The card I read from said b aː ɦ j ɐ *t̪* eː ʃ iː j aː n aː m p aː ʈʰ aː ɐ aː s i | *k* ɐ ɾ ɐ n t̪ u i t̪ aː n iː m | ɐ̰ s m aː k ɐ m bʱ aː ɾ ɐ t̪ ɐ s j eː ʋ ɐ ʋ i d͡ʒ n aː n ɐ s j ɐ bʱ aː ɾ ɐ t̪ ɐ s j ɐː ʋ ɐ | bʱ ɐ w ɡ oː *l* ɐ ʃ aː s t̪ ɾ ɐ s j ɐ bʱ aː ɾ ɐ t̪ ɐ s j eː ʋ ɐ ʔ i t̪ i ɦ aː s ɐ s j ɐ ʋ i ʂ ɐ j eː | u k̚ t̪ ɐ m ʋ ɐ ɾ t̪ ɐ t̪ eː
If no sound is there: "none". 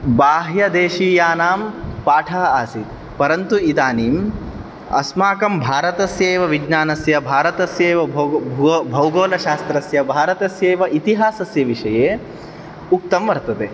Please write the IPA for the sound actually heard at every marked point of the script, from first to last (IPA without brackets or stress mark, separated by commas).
d̪, p, l